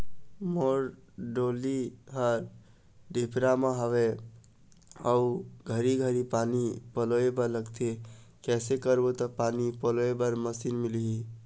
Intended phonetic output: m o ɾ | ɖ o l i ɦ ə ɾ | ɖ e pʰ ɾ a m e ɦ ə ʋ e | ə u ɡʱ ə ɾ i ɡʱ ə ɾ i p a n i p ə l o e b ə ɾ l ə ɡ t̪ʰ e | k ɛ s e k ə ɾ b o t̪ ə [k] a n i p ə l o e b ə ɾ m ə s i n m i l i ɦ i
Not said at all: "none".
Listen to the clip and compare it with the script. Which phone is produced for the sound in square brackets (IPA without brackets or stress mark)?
p